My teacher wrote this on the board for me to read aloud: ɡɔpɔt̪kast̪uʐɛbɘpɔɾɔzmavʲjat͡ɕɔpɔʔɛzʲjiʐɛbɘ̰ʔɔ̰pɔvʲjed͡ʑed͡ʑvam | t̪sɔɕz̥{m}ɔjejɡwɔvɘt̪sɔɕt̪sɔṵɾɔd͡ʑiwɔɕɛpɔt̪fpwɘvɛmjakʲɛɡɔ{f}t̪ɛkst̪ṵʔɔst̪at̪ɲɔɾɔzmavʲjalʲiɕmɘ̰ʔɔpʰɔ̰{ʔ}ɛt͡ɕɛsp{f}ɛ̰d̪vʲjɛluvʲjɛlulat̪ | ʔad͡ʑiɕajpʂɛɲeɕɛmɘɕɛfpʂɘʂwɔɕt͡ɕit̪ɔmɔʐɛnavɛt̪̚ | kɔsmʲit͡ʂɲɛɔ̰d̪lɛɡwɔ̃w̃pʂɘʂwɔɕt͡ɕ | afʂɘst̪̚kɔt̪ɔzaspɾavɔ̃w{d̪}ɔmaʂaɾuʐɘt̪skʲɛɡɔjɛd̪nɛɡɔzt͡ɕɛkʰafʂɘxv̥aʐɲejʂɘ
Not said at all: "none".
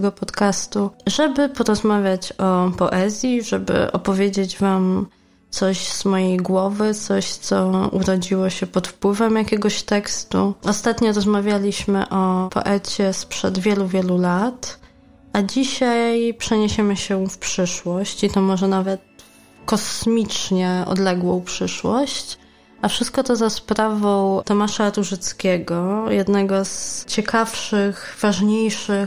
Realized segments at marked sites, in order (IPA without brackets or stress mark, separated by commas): m, ɕ, ʔ, ʂ, t̪